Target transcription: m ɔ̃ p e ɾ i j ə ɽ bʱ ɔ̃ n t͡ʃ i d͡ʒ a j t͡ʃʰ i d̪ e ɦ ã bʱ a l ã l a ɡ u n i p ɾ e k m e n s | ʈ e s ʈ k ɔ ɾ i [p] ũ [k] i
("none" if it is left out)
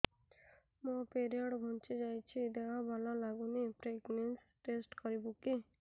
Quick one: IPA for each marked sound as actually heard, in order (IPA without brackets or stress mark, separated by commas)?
b, k